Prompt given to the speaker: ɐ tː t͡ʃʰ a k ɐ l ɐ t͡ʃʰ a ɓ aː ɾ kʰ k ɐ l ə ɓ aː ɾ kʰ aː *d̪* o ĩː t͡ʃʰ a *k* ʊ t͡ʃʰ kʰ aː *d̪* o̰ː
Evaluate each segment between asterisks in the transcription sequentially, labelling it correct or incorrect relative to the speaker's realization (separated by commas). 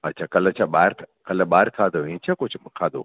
correct, correct, correct